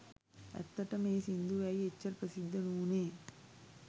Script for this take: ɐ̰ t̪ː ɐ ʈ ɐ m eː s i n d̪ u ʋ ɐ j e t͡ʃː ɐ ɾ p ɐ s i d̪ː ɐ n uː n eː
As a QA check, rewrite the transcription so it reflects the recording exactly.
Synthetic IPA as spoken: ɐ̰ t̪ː ɐ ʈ ɐ m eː s i n d̪ u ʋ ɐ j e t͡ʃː ɐ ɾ p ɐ s i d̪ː ɐ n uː n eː

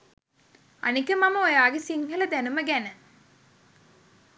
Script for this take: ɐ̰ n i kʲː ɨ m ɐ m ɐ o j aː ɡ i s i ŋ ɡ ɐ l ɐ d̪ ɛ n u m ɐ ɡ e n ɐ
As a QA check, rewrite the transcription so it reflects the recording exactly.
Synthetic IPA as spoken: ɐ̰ n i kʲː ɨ m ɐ m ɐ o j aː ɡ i s i ŋ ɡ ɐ l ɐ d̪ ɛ n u m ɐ ɡ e n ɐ

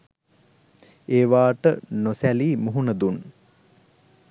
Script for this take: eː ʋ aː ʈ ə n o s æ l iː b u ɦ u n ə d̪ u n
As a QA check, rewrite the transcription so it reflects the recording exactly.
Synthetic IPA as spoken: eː ʋ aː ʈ ə n o s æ l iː m u ɦ u n ə d̪ u n

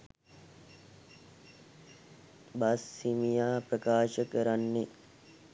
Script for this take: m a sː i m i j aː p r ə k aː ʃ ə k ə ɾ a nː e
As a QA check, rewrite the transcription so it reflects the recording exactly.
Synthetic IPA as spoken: b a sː i m i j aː p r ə k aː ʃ ə k ə ɾ a nː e

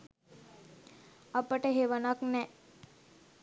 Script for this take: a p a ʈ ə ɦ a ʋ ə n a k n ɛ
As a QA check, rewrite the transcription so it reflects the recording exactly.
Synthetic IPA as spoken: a p ə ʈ ə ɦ e ʋ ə n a k n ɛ

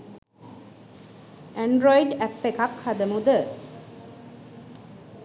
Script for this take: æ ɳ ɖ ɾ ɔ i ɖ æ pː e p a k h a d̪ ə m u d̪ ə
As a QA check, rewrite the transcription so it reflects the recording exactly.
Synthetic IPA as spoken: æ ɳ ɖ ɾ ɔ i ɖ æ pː e k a k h a d̪ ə m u d̪ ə

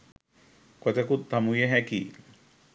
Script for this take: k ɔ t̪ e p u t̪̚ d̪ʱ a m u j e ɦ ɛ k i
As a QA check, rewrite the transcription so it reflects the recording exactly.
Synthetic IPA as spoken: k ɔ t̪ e k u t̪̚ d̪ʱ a m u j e ɦ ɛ k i

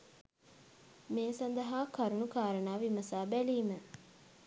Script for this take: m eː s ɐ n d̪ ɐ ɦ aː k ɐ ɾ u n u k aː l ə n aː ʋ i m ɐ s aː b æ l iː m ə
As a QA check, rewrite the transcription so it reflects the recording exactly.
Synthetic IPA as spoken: m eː s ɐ n d̪ ɐ ɦ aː k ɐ ɾ u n u k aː ɾ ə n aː ʋ i m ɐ s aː b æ l iː m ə

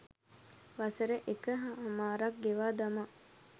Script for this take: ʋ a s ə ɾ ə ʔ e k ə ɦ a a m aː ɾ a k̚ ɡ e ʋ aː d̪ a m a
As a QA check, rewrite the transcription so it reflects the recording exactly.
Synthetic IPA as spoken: ʋ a s ə ɾ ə ʔ e k ə ɦ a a m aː ɾ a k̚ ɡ e ʋ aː d̪ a m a

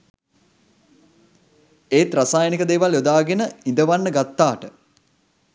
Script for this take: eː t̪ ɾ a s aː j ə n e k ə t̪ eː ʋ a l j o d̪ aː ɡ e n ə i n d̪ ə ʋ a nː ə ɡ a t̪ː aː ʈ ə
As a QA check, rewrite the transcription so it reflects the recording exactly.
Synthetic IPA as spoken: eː t̪ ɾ a s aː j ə n i k ə d̪ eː ʋ a l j o d̪ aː ɡ e n ə i n d̪ ə ʋ a nː ə ɡ a t̪ː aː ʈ ə

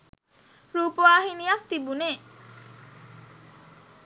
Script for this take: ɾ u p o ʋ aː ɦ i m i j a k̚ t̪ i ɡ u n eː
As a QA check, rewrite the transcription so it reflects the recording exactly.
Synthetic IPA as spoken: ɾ uː p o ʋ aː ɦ i n i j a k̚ t̪ i b u n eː

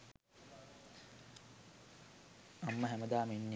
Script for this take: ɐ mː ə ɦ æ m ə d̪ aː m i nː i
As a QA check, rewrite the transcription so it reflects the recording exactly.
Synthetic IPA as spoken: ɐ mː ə ɦ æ m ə d̪ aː m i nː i

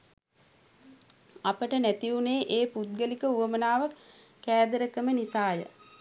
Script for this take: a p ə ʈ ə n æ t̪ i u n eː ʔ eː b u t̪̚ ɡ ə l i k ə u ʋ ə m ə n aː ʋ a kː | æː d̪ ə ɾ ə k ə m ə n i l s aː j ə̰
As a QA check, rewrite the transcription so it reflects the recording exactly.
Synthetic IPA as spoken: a p ə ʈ ə n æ t̪ i u n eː ʔ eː p u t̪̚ ɡ ə l i k ə u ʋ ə m ə n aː ʋ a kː | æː d̪ ə ɾ ə k ə m ə n i s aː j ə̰

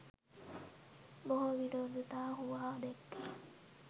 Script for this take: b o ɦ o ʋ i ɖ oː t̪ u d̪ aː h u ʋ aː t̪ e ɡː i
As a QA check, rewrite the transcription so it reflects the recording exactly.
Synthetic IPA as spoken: b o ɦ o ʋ i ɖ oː d̪ u t̪ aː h u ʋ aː d̪ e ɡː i

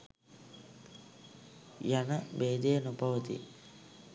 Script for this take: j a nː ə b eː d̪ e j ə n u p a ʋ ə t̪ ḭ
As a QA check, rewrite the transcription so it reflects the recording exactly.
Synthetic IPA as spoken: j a n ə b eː d̪ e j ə n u p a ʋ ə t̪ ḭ

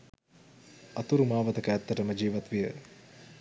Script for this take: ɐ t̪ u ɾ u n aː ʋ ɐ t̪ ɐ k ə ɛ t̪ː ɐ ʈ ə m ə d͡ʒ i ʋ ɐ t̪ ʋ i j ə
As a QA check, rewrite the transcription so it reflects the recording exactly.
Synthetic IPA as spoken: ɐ t̪ u ɾ u m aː ʋ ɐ t̪ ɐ k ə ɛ t̪ː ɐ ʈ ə m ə d͡ʒ iː ʋ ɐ t̪ ʋ i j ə

